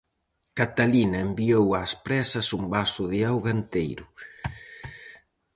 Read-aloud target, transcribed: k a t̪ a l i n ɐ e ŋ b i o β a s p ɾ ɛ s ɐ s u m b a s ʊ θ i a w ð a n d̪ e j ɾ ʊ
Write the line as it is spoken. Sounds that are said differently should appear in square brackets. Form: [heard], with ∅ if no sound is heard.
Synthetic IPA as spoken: k a t̪ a l i n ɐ e [m] b i o [w] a s p ɾ ɛ s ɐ s u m b a s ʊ [ð] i a w [ɣ] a n [t̪] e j ɾ ʊ